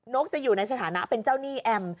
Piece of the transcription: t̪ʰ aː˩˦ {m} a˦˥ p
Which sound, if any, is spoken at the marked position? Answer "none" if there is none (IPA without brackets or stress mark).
n